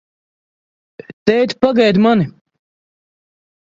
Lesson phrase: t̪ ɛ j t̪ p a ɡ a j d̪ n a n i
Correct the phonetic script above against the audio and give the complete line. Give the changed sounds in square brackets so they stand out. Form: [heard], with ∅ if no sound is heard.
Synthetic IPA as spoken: t̪ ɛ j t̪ p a ɡ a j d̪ [m] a n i